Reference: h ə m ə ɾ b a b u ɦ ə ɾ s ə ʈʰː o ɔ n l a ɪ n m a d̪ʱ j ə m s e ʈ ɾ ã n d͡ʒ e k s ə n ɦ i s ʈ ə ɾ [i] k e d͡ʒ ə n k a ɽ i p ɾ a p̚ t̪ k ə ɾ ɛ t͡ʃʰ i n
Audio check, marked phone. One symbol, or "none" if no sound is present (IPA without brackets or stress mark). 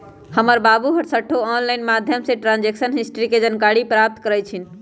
i